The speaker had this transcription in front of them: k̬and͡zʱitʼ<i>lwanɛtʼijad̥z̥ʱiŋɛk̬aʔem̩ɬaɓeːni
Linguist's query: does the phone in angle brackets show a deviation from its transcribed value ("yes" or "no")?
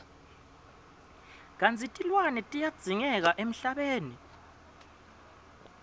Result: no